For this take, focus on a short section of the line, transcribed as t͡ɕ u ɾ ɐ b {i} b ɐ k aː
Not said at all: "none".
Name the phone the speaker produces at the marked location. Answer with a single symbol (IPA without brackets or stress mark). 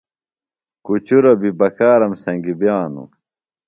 i